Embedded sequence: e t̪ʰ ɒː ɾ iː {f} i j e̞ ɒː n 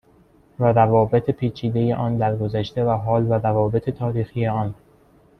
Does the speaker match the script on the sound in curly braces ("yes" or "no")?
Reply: no